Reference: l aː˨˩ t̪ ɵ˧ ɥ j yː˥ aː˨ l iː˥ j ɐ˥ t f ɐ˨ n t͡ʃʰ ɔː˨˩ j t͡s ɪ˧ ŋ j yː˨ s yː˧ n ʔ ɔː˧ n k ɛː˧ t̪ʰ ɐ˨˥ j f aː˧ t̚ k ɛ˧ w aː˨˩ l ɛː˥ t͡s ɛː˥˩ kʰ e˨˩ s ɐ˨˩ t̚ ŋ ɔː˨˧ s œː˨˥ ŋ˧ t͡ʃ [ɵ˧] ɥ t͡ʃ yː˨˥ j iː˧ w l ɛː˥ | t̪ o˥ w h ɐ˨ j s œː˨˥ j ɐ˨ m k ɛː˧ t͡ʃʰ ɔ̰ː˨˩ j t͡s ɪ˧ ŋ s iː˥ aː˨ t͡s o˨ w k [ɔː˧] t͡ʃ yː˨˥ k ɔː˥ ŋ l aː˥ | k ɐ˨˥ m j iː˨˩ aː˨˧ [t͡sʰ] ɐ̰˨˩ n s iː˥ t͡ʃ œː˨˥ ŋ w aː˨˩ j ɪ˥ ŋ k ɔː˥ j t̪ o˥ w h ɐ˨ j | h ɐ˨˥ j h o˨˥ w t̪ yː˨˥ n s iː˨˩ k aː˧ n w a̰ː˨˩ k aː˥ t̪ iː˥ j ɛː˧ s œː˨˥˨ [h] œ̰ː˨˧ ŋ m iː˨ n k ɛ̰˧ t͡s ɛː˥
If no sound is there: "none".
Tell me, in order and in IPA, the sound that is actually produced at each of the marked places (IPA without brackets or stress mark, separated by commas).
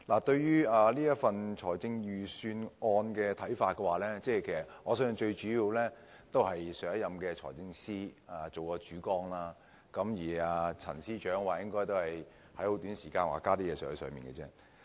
ɵ˧, ɔː˧, t͡sʰ, s